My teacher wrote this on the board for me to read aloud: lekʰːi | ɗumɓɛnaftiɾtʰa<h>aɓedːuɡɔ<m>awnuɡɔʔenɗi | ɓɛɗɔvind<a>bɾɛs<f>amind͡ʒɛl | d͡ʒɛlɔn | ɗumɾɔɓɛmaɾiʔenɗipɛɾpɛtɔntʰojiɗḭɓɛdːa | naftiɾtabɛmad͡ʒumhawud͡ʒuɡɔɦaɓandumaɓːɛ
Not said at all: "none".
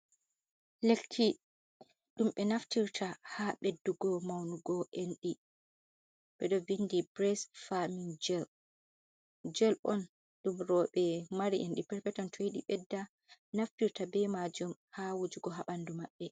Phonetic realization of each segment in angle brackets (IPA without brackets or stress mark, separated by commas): h, m, i, f